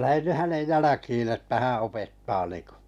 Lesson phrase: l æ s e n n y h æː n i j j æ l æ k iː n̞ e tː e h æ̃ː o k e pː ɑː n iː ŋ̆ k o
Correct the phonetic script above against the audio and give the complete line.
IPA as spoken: l æ h e n n y h æ n e j j æ l æ k iː n̞ e tː æ h æ̃ː o p e tː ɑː n iː ŋ̆ k o